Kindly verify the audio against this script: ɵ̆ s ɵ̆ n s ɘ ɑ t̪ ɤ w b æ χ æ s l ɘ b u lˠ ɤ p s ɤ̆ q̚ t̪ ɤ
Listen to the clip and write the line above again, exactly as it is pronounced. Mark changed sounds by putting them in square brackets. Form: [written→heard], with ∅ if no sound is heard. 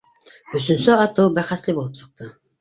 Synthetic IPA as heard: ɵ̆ s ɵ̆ n s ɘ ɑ t̪ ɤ w b æ χ æ s l ɘ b u lˠ ɤ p s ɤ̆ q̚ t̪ ɤ